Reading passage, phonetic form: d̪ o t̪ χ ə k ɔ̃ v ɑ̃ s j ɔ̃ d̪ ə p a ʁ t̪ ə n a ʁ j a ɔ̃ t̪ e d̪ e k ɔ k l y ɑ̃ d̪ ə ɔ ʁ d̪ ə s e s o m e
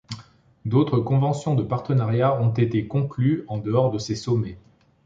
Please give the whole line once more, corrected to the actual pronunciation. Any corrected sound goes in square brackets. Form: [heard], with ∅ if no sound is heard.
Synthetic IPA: d̪ o t̪ χ ə k ɔ̃ v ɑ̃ s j ɔ̃ d̪ ə p a ʁ t̪ ə n a ʁ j a ɔ̃ t̪ e [t̪] e k [ɔ̃] k l y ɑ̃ d̪ ə ɔ ʁ d̪ ə s e s [ɔ] m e